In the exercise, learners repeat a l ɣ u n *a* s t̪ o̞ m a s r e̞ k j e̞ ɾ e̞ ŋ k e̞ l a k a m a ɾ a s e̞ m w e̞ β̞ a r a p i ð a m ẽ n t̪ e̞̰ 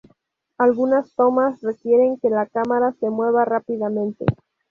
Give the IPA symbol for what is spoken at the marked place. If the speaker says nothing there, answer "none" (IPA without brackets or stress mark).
a